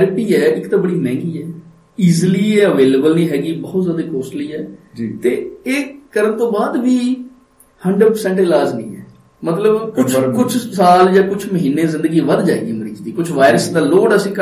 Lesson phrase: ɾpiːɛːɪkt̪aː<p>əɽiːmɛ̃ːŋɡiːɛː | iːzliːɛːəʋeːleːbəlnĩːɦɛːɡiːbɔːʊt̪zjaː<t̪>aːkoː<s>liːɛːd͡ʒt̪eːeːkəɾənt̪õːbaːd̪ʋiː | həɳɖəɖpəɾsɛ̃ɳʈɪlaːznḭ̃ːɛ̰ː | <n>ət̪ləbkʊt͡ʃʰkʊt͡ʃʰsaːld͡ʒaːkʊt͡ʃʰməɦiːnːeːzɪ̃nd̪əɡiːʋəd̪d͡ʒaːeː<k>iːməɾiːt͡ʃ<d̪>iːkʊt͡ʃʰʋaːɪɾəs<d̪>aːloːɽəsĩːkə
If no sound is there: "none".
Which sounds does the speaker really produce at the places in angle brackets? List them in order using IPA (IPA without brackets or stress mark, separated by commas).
b, d̪, s, m, ɡ, d̪, d̪